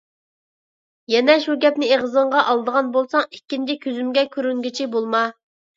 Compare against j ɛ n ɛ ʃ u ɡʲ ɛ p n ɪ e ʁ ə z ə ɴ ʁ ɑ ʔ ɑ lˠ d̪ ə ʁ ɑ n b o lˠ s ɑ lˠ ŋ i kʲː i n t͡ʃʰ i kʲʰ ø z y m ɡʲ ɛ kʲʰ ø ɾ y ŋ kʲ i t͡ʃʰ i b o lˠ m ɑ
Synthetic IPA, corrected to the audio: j ɛ n ɛ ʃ u ɡʲ ɛ p n ɪ e ʁ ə z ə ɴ ʁ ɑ ʔ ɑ lˠ d̪ ə ʁ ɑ n b o lˠ s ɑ ŋ i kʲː i n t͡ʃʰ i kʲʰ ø z y m ɡʲ ɛ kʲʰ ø ɾ y ŋ ɡʲ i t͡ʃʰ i b o lˠ m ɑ